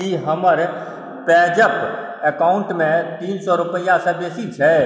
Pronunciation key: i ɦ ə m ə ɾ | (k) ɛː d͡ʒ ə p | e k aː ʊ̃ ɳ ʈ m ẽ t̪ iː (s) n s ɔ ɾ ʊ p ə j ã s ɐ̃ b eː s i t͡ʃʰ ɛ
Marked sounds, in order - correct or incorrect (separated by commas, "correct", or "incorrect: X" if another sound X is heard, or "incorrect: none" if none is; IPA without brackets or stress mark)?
incorrect: p, incorrect: none